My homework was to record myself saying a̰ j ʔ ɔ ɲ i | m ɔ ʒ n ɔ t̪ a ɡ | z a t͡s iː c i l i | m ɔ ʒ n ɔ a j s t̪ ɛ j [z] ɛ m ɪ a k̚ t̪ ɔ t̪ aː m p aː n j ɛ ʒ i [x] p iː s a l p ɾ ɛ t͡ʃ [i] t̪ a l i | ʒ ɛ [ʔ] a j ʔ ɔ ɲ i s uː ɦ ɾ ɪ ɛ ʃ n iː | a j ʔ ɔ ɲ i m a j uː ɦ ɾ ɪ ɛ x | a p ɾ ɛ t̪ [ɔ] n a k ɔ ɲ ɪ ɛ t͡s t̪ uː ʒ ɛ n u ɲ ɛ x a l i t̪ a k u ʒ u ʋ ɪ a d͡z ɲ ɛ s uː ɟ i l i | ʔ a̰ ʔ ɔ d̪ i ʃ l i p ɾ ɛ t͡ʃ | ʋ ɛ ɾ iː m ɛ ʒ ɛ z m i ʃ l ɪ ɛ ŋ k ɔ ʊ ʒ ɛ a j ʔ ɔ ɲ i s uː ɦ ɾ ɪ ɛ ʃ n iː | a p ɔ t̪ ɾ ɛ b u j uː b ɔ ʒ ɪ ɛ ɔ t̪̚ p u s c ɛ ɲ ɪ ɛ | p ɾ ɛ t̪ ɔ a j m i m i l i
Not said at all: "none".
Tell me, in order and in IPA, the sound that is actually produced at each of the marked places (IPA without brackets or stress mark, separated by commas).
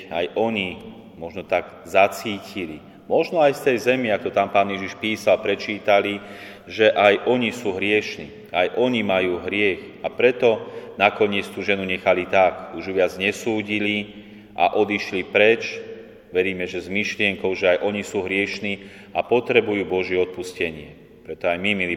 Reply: z, ʃ, iː, ʔ, ɔ